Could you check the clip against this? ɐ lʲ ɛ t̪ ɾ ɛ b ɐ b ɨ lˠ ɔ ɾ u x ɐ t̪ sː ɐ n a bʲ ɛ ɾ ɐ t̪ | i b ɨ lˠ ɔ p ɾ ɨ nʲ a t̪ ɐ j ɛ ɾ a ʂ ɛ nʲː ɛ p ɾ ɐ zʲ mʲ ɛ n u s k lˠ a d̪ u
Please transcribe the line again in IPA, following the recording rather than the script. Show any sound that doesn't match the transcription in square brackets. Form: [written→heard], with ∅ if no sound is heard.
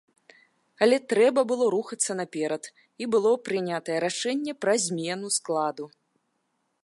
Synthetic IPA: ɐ lʲ ɛ t̪ ɾ ɛ b ɐ b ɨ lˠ ɔ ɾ u x ɐ t̪ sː ɐ n a [bʲ→pʲ] ɛ ɾ ɐ t̪ | i b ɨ lˠ ɔ p ɾ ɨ nʲ a t̪ ɐ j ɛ ɾ a ʂ ɛ nʲː ɛ p ɾ ɐ zʲ mʲ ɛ n u s k lˠ a d̪ u

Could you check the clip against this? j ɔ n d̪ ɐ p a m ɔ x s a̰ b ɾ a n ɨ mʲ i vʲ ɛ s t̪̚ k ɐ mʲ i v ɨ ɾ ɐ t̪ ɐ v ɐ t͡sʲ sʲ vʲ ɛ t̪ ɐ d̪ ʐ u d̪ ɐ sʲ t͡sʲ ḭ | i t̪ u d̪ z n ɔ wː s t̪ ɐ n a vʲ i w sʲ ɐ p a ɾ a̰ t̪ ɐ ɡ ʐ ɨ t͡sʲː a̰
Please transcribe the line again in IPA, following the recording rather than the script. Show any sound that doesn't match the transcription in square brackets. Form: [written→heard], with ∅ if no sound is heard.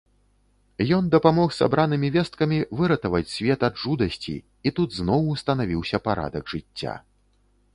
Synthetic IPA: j ɔ n d̪ ɐ p a m ɔ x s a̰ b ɾ a n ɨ mʲ i vʲ ɛ s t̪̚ k ɐ mʲ i v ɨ ɾ ɐ t̪ ɐ v ɐ t͡sʲ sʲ vʲ ɛ t̪ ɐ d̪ ʐ u d̪ ɐ sʲ t͡sʲ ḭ | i t̪ u d̪ z n ɔ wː s t̪ ɐ n a vʲ i w sʲ ɐ p a ɾ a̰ [t̪→d̪] ɐ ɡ ʐ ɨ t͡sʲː a̰

